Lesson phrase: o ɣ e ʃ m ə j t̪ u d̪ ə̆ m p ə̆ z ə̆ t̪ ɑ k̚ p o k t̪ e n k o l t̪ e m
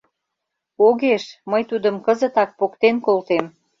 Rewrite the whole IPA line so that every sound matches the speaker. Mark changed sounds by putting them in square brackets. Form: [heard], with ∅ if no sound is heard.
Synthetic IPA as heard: o ɣ e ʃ m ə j t̪ u d̪ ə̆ m [k] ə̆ z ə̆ t̪ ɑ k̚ p o k t̪ e n k o l t̪ e m

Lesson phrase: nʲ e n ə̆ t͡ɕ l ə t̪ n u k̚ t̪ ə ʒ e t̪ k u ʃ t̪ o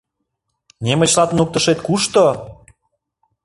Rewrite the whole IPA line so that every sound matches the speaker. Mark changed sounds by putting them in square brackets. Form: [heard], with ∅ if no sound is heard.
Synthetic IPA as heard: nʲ e [m] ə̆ t͡ɕ l [ɑ] t̪ n u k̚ t̪ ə [ʃ] e t̪ k u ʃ t̪ o

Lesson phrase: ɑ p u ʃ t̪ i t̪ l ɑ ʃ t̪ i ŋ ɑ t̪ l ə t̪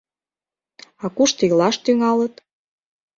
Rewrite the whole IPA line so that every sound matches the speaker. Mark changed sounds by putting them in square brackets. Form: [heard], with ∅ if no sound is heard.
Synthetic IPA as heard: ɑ [k] u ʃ t̪ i [∅] l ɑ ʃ t̪ [y] ŋ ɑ [∅] l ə t̪

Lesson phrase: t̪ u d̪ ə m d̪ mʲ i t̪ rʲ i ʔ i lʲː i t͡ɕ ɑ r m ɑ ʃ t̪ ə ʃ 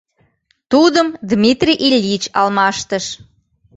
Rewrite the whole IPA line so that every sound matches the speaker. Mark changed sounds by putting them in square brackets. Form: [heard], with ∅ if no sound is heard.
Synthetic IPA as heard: t̪ u d̪ ə m d̪ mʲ i t̪ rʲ i ʔ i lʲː i t͡ɕ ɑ [l] m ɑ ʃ t̪ ə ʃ

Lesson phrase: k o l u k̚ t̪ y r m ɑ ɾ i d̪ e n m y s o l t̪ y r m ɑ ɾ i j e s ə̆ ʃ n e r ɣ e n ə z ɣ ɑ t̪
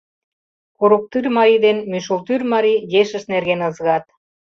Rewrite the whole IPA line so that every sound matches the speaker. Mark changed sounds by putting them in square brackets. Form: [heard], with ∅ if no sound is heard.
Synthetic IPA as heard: k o [ɾ] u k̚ t̪ y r m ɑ ɾ i d̪ e n m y [ʃ] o l t̪ y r m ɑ ɾ i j e [ʃ] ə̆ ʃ n e r ɣ e n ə z ɣ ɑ t̪

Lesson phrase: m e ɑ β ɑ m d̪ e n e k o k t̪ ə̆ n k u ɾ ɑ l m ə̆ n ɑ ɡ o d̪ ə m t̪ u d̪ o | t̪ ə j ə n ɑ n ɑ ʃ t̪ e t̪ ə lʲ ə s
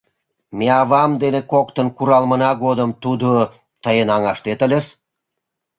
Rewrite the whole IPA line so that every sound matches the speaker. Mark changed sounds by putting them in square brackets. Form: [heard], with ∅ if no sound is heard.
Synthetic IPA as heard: m e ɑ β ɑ m d̪ e n e k o k t̪ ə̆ n k u ɾ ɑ l m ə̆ n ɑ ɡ o d̪ ə m t̪ u d̪ o | t̪ ə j ə n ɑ [ŋ] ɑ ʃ t̪ e t̪ ə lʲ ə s

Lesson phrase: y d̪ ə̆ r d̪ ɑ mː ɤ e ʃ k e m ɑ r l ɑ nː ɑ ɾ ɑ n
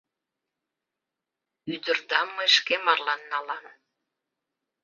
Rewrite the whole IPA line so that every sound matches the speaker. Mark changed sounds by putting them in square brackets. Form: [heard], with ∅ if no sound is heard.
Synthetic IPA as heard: y d̪ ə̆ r d̪ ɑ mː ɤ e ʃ k e m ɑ r l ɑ nː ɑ [l] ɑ n

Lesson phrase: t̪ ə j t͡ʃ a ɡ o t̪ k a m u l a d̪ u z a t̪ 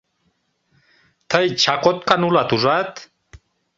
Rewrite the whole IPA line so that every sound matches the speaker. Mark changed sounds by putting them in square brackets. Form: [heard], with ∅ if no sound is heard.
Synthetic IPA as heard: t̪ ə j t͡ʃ a [k] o t̪ k a [n] u l a [t̪] u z a t̪

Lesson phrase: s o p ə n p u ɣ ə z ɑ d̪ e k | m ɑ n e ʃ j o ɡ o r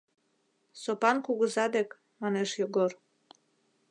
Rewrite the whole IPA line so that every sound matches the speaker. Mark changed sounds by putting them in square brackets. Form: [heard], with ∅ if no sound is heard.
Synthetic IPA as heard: s o p [ɑ] n [k] u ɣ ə z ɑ d̪ e k | m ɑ n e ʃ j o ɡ o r

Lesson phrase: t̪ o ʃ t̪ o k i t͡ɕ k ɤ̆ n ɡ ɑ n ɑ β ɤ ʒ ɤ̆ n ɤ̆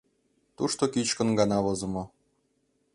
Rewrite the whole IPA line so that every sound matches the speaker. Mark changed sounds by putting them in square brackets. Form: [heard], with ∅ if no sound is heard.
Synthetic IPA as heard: t̪ [u] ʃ t̪ o k i t͡ɕ k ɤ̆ n ɡ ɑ n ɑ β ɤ [z] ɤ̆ [m] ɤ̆

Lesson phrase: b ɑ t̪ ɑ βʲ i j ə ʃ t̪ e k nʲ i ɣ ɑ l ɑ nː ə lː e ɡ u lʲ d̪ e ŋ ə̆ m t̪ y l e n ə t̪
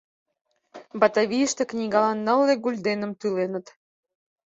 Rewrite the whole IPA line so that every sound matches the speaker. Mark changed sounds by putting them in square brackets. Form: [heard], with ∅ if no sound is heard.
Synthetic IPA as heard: b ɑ t̪ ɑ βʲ i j ə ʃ t̪ e k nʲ i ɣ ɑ l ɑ nː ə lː e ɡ u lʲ d̪ e [n] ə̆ m t̪ y l e n ə t̪

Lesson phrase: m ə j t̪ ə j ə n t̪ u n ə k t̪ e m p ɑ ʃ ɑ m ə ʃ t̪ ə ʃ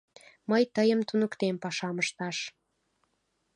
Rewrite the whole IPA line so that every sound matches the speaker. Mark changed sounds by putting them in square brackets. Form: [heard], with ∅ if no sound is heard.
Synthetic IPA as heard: m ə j t̪ ə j ə [m] t̪ u n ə k t̪ e m p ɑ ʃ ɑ m ə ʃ t̪ [ɑ] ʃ

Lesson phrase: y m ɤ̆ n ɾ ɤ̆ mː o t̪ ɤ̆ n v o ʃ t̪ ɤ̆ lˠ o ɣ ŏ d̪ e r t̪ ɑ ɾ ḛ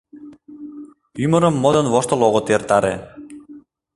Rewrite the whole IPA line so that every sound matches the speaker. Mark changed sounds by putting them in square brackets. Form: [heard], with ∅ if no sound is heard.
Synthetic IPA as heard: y m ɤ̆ [∅] ɾ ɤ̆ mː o [d̪] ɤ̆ n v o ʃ t̪ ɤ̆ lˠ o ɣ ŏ [t̪] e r t̪ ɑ ɾ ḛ

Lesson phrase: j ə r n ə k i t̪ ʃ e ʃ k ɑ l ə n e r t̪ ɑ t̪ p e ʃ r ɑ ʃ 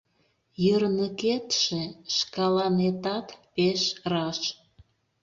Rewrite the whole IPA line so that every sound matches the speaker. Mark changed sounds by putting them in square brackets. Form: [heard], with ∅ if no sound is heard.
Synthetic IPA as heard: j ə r n ə k [e] t̪ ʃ e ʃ k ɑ l [ɑ] n e [∅] t̪ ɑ t̪ p e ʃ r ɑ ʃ

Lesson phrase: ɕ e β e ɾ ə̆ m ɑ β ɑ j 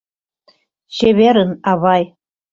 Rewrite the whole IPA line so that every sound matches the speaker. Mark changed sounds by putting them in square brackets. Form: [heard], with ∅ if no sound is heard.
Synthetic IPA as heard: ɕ e β e ɾ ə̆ [n] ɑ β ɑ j

